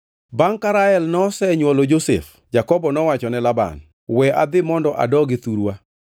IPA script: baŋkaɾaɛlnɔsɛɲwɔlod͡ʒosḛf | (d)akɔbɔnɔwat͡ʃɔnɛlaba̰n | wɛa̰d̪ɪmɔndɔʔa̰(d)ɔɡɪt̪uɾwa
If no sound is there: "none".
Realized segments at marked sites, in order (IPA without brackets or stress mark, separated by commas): d͡ʒ, d